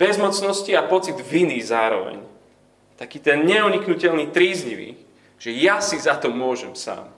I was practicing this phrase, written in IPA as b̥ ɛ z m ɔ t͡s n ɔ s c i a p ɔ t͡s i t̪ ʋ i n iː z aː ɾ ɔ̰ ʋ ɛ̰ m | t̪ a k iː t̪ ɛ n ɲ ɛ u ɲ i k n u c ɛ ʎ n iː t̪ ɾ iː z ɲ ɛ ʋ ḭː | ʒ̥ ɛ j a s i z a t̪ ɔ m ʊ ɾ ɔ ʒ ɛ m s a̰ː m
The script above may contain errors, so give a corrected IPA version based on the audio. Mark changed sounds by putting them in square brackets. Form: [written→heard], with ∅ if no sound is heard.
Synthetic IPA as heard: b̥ ɛ z m ɔ t͡s n ɔ s c i a p ɔ t͡s i [t̪→d̪] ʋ i n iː z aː ɾ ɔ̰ ʋ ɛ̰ [m→ɲ] | t̪ a k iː t̪ ɛ n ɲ ɛ u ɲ i k n u c ɛ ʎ n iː t̪ ɾ iː z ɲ [ɛ→i] ʋ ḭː | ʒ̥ ɛ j a s i z a t̪ ɔ m ʊ [ɾ→∅] ɔ ʒ ɛ m s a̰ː m